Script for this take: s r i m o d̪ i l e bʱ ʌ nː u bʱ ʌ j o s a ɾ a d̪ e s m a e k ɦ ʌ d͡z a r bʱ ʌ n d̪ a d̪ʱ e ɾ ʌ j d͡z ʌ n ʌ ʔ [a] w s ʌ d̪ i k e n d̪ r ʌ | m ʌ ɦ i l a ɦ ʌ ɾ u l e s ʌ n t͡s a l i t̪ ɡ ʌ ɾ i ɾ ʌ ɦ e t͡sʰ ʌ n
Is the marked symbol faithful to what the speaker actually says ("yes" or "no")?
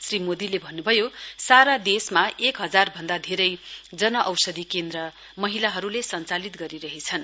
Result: no